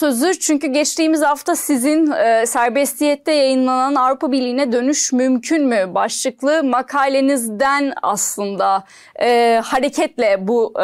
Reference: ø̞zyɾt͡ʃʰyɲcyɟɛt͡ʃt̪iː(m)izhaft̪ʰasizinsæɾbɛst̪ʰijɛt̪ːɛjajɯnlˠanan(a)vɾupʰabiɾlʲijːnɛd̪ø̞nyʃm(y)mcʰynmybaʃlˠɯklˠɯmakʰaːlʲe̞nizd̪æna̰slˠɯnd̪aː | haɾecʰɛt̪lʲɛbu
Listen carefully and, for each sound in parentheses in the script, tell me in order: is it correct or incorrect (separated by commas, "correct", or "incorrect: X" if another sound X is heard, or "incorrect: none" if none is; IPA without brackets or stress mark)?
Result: correct, correct, correct